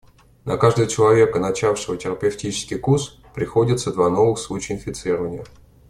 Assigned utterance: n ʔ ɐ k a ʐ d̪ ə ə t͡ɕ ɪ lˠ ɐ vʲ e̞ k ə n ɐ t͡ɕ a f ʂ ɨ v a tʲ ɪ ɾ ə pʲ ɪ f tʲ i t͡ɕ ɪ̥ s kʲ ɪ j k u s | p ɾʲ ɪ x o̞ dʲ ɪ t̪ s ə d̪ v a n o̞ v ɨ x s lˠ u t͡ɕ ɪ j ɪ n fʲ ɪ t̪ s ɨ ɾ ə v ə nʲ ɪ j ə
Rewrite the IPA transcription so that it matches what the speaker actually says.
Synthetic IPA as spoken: n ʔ ɐ k a ʐ d̪ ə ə t͡ɕ ɪ lˠ ɐ vʲ e̞ k ə n ɐ t͡ɕ a f ʂ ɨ v ə tʲ ɪ ɾ ə pʲ ɪ f tʲ i t͡ɕ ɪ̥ s kʲ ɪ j k u s | p ɾʲ ɪ x o̞ dʲ ɪ t̪ s ə d̪ v a n o̞ v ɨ x s lˠ u t͡ɕ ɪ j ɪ n fʲ ɪ t̪ s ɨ ɾ ə v ə nʲ ɪ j ə

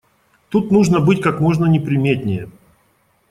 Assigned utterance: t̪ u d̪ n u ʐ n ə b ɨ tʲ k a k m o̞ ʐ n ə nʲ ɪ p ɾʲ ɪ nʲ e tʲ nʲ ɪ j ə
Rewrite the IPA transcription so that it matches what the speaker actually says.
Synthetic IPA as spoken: t̪ u t̪ n u ʐ n ə b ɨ tʲ k a k m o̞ ʐ n ə nʲ ɪ p ɾʲ ɪ mʲ e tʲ nʲ ɪ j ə

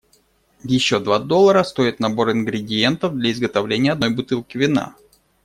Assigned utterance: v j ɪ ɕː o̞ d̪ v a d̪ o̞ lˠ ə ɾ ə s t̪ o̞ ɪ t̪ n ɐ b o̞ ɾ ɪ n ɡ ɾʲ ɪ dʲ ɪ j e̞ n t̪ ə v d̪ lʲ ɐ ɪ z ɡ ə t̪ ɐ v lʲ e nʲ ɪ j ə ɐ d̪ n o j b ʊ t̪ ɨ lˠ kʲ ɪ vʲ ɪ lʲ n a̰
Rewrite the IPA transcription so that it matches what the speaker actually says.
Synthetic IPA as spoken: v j ɪ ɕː o̞ d̪ v a d̪ o̞ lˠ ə ɾ ə s t̪ o̞ ɪ t̪ n ɐ b o̞ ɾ ɪ n ɡ ɾʲ ɪ dʲ ɪ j e̞ n t̪ ə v d̪ lʲ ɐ ɪ z ɡ ə t̪ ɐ v lʲ e nʲ ɪ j ə ɐ d̪ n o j b ʊ t̪ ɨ lˠ kʲ ɪ vʲ ɪ n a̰

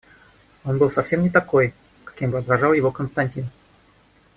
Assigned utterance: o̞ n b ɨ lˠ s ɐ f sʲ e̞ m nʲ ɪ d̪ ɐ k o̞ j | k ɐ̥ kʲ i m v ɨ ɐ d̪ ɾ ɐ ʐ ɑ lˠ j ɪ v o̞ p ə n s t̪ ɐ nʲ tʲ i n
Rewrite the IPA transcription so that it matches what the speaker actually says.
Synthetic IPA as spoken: o̞ n b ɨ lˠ s ɐ f sʲ e̞ m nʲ ɪ t̪ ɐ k o̞ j | k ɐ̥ kʲ i m b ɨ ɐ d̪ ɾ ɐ ʐ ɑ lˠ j ɪ v o̞ k ə n s t̪ ɐ nʲ tʲ i n

